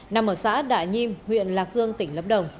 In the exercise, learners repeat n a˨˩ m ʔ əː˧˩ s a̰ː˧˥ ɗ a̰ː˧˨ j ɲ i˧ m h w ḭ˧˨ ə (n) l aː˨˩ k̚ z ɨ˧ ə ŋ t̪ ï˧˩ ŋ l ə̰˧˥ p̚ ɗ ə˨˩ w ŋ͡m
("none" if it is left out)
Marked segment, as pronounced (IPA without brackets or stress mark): n